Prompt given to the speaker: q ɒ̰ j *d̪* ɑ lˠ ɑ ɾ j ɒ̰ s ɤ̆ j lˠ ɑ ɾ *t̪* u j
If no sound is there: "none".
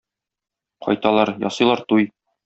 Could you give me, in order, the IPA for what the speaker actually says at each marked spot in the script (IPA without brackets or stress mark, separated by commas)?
t̪, t̪